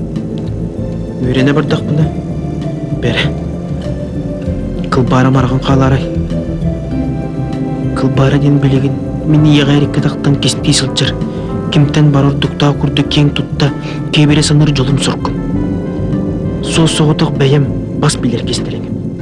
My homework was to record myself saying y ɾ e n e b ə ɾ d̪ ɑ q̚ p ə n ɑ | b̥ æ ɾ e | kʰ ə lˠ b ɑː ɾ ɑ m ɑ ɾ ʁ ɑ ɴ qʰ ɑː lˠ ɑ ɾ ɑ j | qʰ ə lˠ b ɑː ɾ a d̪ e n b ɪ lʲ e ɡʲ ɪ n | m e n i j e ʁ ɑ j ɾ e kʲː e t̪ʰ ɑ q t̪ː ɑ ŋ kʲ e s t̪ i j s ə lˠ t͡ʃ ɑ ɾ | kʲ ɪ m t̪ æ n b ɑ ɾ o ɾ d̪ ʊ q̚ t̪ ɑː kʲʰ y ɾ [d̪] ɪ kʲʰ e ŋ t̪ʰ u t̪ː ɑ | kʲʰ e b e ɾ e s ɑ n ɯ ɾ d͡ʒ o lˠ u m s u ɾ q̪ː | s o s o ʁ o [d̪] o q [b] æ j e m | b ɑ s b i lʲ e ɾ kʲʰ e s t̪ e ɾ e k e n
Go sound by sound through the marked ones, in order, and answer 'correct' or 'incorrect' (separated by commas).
correct, incorrect, correct